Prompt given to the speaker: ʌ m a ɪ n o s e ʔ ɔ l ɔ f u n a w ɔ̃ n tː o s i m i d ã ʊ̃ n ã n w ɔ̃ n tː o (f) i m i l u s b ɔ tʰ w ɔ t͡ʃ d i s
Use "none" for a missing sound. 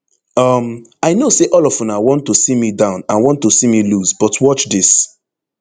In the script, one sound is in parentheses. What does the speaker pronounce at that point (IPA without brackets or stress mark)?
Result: s